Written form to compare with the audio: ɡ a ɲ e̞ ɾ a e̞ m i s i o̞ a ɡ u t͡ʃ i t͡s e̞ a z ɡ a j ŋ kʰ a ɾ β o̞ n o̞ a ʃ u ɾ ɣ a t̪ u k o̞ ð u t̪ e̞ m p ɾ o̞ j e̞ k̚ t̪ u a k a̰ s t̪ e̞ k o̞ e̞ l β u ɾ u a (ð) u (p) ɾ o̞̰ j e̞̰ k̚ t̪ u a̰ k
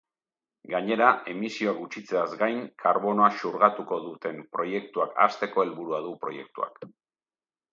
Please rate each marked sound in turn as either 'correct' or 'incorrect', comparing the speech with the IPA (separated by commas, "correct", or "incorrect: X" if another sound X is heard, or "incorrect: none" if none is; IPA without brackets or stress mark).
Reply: correct, correct